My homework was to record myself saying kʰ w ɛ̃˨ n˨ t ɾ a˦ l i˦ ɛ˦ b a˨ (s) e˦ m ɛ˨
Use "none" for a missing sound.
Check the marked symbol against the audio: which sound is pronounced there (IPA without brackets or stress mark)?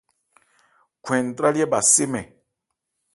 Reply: s